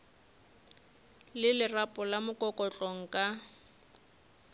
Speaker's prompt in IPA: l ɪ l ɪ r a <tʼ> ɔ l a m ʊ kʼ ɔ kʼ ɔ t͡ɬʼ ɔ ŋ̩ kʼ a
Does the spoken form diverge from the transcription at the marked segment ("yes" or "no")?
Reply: yes